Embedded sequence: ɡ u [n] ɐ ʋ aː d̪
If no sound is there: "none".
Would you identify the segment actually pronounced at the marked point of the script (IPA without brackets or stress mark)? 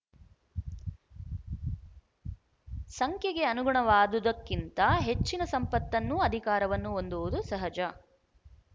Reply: ɳ